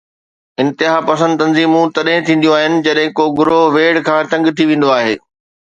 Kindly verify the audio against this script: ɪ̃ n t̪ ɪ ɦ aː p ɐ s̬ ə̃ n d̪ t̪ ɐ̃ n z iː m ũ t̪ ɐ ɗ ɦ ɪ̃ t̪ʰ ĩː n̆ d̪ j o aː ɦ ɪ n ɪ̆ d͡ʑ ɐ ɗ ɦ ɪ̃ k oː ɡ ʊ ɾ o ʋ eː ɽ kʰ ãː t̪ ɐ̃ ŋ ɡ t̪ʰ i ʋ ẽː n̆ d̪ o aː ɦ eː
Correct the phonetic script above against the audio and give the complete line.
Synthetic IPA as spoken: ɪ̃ n t̪ ɪ ɦ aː p ɐ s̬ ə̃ n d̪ t̪ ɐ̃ n z iː m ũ t̪ ɐ ɗ ɦ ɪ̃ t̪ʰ ĩː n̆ d̪ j o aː ɦ ɪ n ɪ̆ d͡ʑ ɐ ɗ ɦ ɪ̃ k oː ɡ ʊ ɾ o ʋ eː ɽ kʰ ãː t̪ ɐ̃ ŋ ɡ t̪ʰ i ʋ ẽː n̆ d̪ o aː ɦ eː